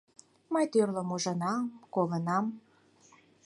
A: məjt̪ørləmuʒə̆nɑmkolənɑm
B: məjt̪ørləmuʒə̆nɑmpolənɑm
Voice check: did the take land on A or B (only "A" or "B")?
A